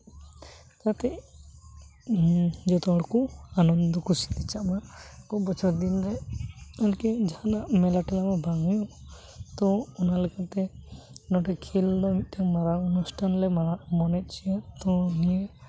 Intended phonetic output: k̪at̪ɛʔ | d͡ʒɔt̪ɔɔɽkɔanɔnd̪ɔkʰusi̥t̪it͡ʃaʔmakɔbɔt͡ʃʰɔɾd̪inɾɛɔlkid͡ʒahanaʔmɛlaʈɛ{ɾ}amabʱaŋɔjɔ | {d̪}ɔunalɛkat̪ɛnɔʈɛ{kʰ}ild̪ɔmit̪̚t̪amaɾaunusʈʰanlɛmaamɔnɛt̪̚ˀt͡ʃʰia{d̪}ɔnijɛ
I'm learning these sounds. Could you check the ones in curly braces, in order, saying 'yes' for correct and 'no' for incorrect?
no, no, yes, no

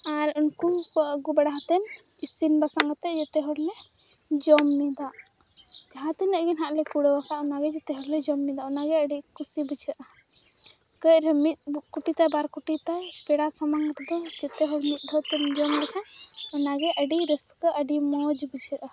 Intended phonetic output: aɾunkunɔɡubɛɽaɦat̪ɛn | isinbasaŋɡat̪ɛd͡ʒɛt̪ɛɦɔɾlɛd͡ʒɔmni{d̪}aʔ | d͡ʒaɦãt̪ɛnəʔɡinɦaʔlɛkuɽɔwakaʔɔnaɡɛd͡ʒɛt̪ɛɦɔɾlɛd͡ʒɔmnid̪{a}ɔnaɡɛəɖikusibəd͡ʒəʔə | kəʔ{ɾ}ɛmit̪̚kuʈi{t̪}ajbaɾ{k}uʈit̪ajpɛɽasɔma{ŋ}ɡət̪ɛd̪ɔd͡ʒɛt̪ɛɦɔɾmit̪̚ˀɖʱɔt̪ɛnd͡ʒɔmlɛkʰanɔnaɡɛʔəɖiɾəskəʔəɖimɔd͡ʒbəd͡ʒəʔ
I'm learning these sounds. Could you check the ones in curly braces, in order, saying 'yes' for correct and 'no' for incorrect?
yes, yes, yes, yes, yes, yes

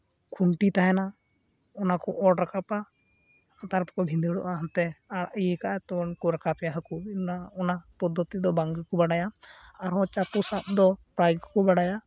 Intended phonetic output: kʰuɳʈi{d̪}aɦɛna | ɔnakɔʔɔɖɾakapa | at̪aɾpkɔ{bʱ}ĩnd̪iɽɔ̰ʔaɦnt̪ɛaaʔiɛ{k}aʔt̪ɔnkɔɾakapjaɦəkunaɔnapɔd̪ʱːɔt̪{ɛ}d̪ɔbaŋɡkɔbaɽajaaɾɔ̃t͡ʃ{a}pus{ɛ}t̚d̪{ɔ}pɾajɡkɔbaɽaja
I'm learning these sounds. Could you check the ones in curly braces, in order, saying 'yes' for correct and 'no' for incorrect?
no, yes, yes, no, yes, no, yes

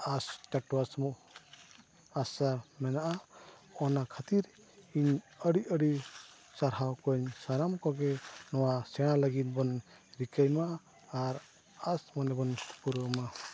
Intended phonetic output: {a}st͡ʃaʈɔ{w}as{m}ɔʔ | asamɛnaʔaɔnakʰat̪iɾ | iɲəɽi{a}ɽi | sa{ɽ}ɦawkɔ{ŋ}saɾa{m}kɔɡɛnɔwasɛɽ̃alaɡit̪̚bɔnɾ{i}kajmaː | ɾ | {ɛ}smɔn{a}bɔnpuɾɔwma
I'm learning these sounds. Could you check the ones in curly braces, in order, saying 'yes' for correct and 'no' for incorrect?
yes, yes, yes, no, no, no, yes, yes, no, no

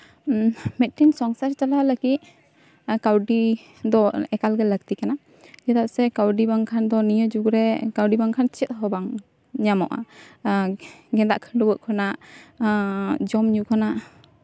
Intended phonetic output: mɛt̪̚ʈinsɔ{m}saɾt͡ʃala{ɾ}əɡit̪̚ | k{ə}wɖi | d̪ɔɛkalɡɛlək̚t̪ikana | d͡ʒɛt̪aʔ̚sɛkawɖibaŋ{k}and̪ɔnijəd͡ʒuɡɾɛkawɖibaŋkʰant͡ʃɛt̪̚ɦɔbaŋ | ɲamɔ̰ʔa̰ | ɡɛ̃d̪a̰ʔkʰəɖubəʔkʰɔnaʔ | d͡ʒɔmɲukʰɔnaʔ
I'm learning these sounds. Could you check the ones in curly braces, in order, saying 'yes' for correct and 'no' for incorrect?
no, no, no, no

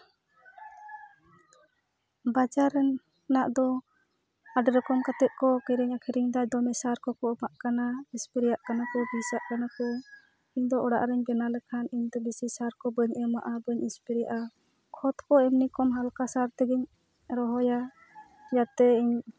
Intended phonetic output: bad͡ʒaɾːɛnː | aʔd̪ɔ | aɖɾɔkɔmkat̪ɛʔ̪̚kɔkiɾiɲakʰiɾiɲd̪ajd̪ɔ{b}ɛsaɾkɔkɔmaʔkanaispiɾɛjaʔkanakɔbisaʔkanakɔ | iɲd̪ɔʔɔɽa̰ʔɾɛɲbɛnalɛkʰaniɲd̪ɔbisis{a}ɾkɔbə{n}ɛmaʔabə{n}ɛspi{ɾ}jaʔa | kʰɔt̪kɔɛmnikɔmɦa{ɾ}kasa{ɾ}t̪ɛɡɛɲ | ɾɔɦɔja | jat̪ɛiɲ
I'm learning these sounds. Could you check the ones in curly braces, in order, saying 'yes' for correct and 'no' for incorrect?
no, yes, no, no, yes, no, yes

